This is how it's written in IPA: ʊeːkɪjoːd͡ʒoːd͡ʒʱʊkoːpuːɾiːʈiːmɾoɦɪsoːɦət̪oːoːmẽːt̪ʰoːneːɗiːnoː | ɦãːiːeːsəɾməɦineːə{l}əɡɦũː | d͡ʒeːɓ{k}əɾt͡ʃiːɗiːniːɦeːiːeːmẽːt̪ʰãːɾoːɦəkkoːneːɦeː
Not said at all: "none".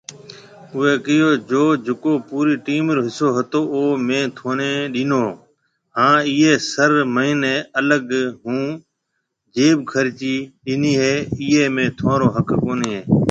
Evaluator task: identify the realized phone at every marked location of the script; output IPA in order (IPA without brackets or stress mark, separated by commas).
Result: l, kʰ